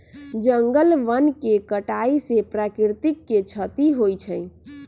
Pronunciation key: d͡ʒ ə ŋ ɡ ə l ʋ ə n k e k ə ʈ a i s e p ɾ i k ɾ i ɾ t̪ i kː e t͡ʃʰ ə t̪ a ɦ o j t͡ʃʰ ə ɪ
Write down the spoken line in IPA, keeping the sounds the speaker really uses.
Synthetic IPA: d͡ʒ ə ŋ ɡ ə l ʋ ə n k e k ə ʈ a i s e p ɾ a k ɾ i ɾ t̪ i kː e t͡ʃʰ ə t̪ i ɦ o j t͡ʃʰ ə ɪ